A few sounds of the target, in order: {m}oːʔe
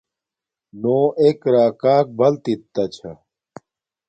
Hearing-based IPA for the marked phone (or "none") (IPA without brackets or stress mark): n